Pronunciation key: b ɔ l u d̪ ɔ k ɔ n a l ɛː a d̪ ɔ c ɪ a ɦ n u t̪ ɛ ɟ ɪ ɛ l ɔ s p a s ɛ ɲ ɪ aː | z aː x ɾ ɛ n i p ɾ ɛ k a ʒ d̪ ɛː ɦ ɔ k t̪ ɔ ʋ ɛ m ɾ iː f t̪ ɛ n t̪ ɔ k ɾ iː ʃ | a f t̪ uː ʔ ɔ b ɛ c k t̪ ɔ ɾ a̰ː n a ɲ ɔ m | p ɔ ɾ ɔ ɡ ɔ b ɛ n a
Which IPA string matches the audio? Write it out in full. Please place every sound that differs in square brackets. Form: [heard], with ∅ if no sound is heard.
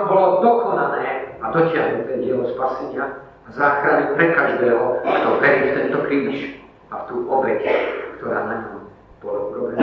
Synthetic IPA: b ɔ l [ɔ] d̪ ɔ k ɔ n a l ɛː a d̪ ɔ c ɪ a ɦ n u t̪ ɛ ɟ ɪ ɛ l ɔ s p a s ɛ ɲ ɪ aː | z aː x ɾ [a] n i p ɾ ɛ k a ʒ d̪ ɛː ɦ ɔ k t̪ ɔ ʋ ɛ [∅] ɾ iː f t̪ ɛ n t̪ ɔ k ɾ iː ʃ | a f t̪ uː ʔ ɔ b ɛ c k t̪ ɔ ɾ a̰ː n a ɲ ɔ m | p ɔ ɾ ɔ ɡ ɔ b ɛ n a